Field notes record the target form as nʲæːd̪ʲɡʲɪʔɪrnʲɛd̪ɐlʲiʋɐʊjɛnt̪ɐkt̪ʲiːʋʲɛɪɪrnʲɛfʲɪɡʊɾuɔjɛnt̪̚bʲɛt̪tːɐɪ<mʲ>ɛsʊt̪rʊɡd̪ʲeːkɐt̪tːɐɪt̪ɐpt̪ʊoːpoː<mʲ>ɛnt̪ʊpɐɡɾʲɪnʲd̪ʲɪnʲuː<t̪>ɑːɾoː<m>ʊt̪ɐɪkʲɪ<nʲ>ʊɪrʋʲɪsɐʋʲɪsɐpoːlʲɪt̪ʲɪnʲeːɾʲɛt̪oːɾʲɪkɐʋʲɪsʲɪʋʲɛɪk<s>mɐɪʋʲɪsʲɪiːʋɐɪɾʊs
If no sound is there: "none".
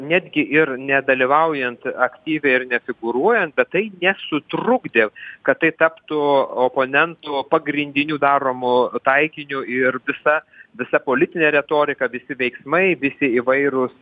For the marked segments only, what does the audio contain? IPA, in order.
nʲ, nʲ, d̪, m, nʲ, s

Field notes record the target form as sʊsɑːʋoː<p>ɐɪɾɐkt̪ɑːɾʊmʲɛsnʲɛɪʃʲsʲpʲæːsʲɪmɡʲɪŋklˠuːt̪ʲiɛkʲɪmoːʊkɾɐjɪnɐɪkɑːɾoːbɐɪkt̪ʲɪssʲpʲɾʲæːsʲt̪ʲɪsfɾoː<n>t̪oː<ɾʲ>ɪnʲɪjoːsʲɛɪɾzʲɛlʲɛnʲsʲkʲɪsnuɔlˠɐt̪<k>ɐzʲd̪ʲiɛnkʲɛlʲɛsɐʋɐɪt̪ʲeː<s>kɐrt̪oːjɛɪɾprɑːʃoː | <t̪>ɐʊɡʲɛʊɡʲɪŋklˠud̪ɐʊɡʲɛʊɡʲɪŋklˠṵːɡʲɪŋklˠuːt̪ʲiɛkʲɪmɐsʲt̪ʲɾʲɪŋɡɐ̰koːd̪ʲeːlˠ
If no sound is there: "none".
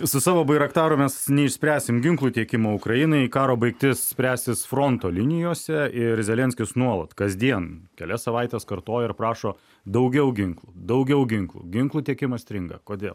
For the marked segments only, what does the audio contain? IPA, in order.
b, n, lʲ, k, s, d̪

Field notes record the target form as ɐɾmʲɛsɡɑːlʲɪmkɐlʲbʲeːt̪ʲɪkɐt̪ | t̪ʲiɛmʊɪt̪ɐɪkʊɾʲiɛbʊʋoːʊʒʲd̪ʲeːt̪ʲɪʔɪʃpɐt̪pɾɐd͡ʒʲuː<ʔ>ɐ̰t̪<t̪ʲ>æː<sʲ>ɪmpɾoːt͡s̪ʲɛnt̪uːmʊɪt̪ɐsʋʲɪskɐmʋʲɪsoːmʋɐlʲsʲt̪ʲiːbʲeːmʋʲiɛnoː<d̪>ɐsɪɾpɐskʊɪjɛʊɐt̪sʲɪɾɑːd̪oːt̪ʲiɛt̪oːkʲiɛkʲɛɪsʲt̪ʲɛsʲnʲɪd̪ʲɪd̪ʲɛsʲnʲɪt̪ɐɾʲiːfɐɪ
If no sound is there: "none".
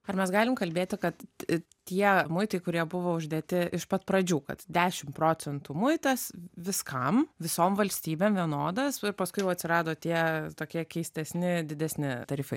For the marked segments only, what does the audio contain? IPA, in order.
k, d̪ʲ, ʃʲ, d̪

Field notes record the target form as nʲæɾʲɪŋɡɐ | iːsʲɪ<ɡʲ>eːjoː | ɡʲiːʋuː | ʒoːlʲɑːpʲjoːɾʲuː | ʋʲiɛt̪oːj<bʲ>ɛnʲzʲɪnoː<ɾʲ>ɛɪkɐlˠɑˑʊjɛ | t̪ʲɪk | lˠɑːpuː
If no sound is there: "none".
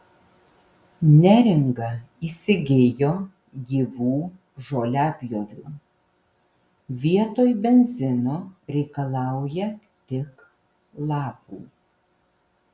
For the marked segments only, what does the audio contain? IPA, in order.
ɡʲ, bʲ, ɾʲ

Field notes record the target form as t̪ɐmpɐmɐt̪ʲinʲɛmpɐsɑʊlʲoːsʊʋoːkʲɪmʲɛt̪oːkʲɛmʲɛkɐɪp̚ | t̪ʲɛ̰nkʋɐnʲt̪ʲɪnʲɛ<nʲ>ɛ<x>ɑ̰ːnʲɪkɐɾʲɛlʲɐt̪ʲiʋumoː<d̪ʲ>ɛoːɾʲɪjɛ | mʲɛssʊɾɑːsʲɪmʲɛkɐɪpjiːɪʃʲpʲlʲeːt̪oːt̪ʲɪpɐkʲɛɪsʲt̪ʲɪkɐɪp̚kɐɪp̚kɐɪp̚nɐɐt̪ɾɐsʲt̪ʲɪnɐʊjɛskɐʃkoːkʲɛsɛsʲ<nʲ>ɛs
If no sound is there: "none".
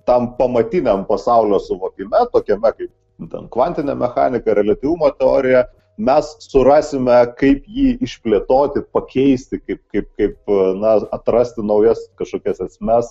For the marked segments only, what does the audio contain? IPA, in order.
mʲ, x, t̪ʲ, mʲ

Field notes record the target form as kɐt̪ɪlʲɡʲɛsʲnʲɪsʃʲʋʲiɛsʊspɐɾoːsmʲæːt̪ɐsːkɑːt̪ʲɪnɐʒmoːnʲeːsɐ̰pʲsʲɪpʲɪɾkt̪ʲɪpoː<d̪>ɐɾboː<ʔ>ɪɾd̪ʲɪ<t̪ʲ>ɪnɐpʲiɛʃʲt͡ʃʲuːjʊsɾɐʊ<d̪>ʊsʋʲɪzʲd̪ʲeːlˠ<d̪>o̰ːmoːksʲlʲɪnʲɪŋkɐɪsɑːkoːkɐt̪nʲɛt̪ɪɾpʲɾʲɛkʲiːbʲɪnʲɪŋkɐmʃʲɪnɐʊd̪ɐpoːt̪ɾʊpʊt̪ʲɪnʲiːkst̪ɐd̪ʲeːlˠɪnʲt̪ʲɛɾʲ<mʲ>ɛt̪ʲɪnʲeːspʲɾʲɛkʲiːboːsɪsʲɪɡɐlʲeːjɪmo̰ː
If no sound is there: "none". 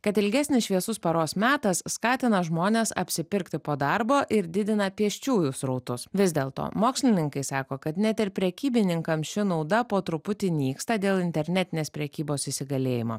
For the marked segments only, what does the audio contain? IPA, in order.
d̪, ʔ, d̪ʲ, t̪, t̪, nʲ

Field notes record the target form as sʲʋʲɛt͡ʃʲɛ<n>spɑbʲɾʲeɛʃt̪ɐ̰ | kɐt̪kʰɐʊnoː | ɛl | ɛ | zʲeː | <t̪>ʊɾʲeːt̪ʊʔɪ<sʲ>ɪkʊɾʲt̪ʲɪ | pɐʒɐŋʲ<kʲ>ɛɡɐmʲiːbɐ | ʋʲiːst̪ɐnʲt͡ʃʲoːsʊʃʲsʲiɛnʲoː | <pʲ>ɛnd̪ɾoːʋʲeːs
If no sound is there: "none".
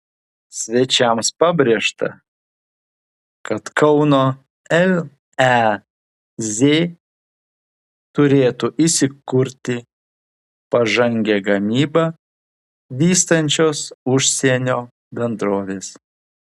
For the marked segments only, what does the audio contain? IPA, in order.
m, t̪, sʲ, ɡʲ, bʲ

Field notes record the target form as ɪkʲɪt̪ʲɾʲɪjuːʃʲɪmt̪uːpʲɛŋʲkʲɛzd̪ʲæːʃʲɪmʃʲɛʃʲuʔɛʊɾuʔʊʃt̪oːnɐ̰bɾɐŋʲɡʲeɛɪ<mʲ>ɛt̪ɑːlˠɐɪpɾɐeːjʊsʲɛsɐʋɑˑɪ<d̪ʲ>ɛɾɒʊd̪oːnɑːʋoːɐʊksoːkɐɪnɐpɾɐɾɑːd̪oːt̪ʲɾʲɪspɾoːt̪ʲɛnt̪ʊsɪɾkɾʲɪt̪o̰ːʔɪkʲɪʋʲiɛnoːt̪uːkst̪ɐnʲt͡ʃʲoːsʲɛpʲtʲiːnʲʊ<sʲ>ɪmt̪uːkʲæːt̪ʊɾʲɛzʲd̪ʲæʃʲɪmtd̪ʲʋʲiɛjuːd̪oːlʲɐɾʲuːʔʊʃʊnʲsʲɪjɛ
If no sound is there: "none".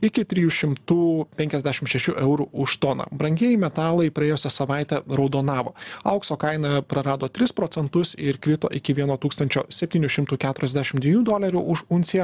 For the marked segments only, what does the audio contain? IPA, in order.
mʲ, t̪ʲ, ʃʲ

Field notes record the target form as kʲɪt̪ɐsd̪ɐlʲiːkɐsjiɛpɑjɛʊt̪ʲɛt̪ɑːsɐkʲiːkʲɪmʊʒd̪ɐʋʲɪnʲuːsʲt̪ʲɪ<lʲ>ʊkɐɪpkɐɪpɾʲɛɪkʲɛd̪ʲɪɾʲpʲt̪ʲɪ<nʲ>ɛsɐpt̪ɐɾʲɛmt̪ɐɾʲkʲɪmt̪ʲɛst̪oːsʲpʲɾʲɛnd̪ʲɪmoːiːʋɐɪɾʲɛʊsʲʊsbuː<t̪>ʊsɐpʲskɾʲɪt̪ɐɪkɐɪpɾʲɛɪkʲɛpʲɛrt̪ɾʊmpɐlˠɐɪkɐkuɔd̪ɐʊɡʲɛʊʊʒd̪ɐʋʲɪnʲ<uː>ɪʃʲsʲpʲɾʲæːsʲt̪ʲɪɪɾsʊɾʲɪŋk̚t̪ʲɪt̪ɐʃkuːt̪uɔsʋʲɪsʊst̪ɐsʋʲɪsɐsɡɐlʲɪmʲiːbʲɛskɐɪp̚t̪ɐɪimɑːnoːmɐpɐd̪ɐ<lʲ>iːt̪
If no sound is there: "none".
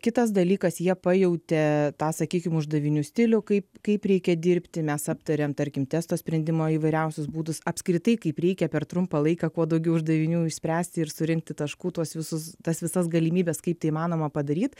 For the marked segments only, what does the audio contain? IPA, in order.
lʲ, mʲ, d̪, uː, ɾʲ

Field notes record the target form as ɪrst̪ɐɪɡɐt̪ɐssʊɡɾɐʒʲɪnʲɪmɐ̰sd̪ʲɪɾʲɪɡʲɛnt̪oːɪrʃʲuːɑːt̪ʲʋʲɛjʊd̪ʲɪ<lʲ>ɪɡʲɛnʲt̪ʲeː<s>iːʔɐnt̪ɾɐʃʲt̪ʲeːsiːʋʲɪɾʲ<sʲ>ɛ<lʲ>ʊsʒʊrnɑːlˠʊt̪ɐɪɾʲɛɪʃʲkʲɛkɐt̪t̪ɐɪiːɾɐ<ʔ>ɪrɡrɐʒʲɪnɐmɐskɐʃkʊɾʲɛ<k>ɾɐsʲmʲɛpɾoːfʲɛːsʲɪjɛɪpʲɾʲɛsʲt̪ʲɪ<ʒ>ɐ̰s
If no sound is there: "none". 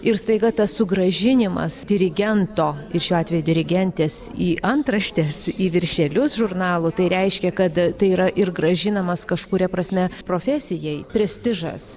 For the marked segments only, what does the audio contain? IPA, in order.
ɾʲ, s, ʃʲ, lʲ, ʔ, p, ʒ

